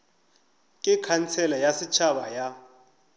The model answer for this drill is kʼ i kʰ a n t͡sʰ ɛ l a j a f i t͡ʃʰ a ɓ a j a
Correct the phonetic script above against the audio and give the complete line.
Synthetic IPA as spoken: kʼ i kʰ a n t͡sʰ ɛ l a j a s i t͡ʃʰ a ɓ a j a

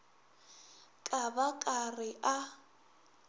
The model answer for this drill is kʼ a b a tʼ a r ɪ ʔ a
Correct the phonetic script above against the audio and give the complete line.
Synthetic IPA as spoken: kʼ a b a kʼ a r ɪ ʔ a

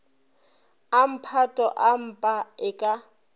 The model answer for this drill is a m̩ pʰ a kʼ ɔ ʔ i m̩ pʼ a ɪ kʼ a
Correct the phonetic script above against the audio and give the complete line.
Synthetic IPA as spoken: a m̩ pʰ a tʼ ɔ ʔ a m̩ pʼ a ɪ kʼ a

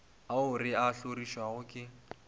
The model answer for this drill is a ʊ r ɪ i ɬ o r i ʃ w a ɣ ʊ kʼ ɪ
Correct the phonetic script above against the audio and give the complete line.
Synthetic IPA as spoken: a ʊ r ɪ a ɬ o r i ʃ w a ɣ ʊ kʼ ɪ

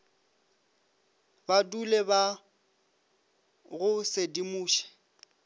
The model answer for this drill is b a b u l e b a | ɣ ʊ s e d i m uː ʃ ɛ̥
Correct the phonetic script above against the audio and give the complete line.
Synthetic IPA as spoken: b a d u l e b a | ɣ ʊ s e d i m uː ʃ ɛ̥

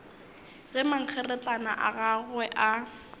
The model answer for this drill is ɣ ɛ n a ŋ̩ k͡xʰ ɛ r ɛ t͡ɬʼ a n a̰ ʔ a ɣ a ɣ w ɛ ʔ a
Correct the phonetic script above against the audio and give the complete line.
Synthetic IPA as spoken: ɣ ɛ m a ŋ̩ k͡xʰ ɛ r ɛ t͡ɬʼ a n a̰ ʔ a ɣ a ɣ w ɛ ʔ a

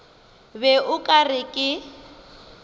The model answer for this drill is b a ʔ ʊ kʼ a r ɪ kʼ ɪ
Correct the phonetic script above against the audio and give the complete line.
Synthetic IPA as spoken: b ɛ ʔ ʊ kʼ a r ɪ kʼ ɪ

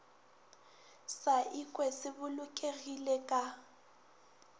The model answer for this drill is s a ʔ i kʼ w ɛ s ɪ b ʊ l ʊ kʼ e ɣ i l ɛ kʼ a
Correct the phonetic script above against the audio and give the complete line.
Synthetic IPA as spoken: s a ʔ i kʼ w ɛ s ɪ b ʊ l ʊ kʼ e ɣ i l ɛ kʼ a

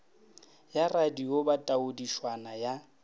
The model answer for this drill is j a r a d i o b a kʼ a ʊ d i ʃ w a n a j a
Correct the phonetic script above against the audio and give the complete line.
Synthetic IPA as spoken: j a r a d i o b a tʼ a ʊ d i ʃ w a n a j a

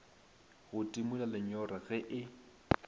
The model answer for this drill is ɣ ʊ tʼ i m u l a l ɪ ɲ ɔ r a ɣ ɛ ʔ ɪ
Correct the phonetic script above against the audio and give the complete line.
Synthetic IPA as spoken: ɣ ʊ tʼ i m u l a l ɪ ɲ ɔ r a ɣ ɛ ʔ ɪ

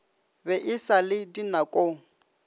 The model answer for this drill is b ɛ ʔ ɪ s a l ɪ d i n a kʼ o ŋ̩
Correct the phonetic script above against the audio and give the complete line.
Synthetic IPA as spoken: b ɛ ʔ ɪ s a l ɪ d i n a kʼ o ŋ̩

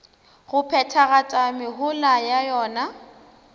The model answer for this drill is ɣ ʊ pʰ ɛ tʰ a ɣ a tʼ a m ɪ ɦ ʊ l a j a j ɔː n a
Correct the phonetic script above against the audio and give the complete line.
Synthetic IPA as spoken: ɣ ʊ pʰ ɛ tʰ a ɣ a tʼ a m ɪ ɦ ʊ l a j a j ɔː n a

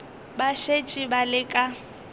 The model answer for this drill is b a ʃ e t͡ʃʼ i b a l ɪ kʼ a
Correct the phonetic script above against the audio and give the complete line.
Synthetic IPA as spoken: b a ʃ e t͡ʃʼ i b a l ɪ kʼ a

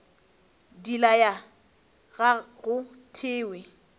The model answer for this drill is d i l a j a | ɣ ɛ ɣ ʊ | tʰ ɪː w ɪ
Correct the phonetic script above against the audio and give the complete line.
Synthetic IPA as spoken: d i l a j a | ɣ a ɣ ʊ | tʰ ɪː w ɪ

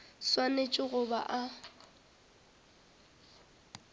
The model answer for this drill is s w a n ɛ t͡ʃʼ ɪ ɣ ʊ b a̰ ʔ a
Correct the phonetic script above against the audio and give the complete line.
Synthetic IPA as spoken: s w a n e t͡ʃʼ ɪ ɣ ʊ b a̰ ʔ a

